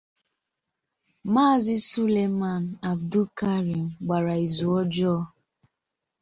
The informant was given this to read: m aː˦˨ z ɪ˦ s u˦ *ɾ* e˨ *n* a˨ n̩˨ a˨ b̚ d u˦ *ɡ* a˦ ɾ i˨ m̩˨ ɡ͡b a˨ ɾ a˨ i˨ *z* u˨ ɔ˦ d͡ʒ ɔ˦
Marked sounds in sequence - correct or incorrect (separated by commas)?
incorrect, incorrect, incorrect, correct